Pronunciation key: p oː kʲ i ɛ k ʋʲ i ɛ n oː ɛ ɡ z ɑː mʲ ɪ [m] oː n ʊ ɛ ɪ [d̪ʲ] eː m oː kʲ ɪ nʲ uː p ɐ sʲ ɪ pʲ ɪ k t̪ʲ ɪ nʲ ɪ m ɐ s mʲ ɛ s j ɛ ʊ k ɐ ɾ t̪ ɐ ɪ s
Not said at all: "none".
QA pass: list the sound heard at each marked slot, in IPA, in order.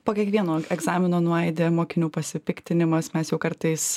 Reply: n, d̪ʲ

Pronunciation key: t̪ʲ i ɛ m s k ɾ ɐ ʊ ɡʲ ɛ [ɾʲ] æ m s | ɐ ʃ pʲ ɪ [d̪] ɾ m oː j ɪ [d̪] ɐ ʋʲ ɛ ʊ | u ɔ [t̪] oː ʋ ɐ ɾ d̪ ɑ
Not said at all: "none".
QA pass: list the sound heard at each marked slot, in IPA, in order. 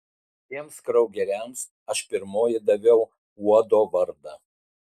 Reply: ɾʲ, none, d̪, d̪

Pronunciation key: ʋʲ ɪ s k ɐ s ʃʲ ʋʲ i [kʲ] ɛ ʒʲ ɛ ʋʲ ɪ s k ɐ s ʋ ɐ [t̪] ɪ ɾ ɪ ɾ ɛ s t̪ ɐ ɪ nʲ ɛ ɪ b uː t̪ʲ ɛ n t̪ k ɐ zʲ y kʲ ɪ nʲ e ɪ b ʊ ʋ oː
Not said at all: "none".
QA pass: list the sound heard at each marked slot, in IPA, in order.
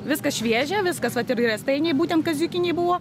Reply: none, t̪

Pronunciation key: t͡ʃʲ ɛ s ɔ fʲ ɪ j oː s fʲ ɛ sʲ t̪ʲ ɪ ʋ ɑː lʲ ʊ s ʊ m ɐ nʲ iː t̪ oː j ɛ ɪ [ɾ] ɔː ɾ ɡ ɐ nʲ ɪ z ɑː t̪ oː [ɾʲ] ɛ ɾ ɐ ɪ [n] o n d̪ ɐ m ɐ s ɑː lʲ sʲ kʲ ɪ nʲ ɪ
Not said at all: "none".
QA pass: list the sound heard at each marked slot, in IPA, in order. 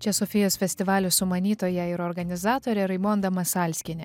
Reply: ɾ, ɾʲ, m

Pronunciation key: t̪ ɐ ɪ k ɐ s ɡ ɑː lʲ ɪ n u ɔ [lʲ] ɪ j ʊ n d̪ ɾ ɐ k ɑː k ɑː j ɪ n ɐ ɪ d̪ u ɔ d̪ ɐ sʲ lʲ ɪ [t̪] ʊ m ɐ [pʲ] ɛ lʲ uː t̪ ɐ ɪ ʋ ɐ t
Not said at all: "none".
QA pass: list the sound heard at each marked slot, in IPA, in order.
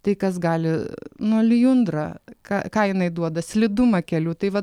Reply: lʲ, d̪, kʲ

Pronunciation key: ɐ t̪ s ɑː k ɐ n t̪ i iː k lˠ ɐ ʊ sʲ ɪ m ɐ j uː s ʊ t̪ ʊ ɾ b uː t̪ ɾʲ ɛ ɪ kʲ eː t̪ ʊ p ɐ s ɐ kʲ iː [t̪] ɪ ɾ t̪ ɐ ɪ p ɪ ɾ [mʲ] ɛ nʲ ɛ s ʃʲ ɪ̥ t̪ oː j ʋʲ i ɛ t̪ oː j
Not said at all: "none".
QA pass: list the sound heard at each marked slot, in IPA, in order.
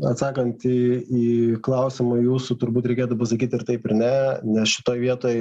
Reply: t̪, nʲ

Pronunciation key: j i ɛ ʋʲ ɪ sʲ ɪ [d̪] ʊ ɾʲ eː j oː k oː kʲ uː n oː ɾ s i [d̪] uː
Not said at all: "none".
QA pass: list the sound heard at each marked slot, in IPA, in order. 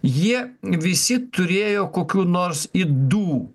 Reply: t̪, d̪

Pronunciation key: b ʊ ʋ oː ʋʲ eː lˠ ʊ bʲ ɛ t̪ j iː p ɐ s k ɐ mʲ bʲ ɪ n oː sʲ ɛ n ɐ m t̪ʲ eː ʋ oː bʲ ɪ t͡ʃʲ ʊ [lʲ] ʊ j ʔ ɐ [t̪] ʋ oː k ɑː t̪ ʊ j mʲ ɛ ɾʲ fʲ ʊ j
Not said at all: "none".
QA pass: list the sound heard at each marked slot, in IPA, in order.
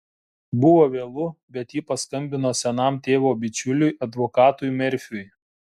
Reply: lʲ, d̪

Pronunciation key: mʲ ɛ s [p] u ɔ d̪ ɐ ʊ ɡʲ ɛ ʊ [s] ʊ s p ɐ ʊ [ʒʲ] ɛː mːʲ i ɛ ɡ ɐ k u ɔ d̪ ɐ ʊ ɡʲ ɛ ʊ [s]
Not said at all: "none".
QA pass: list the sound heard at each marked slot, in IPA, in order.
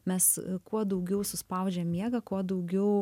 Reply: k, s, d͡ʒʲ, none

